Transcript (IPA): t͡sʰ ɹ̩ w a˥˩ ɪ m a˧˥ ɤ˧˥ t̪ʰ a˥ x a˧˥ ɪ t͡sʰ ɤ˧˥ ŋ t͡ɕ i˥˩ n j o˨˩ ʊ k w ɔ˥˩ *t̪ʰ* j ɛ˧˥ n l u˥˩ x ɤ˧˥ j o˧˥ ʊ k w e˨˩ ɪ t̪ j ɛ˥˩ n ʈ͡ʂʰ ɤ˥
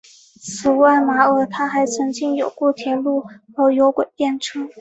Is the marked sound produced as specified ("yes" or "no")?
yes